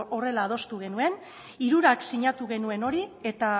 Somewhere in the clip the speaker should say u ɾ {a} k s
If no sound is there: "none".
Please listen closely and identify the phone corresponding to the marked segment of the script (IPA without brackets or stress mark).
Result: a